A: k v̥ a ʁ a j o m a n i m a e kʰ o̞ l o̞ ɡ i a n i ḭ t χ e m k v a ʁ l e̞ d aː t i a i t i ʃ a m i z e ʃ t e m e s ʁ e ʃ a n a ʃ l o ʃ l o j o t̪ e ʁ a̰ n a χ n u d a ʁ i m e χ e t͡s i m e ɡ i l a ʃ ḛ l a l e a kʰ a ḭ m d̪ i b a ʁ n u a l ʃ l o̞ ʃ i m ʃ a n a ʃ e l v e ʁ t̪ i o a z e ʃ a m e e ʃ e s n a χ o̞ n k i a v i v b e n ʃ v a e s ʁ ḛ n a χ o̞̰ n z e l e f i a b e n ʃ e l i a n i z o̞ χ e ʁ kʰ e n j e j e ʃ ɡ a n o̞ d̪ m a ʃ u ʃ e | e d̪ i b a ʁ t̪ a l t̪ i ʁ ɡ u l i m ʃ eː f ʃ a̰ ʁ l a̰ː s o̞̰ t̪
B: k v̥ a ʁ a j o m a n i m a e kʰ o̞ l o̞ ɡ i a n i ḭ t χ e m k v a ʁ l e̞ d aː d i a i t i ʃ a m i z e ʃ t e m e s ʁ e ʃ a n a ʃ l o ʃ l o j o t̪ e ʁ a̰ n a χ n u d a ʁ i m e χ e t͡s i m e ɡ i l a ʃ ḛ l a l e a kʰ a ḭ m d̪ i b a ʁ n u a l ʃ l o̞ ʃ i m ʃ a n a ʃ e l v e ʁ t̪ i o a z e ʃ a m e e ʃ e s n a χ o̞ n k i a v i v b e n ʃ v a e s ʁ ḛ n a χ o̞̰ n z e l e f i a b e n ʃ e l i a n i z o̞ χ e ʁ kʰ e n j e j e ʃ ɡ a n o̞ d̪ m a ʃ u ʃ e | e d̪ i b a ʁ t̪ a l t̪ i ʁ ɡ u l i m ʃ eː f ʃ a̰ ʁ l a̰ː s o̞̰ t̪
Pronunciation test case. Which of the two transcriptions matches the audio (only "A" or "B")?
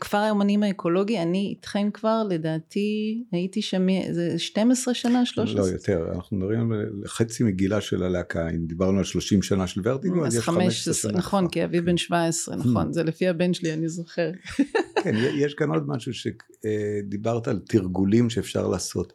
A